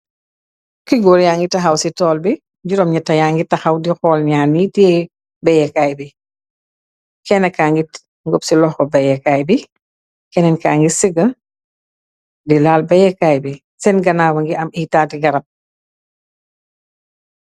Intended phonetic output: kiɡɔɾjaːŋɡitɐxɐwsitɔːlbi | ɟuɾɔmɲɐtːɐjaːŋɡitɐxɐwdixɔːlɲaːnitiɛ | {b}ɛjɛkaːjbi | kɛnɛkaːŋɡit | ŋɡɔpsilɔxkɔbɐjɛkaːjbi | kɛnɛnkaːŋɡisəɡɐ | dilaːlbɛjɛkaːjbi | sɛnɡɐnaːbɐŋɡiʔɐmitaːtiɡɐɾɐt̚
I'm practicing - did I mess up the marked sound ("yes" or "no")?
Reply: no